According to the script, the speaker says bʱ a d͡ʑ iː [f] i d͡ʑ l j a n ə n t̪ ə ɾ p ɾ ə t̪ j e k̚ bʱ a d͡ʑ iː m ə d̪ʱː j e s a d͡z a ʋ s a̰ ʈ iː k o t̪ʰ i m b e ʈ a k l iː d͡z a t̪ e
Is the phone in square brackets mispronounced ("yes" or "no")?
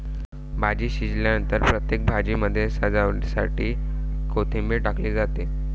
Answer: yes